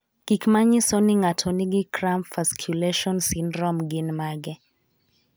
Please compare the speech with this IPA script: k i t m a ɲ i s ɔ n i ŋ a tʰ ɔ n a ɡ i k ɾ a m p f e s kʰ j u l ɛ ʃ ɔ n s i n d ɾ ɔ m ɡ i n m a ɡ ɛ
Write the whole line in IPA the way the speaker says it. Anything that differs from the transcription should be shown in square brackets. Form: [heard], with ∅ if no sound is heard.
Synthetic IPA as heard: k i [k] m a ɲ i s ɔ n i ŋ a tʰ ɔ n [i] ɡ i k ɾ a m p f [a] s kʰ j u l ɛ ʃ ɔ n s i n d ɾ ɔ m ɡ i n m a ɡ ɛ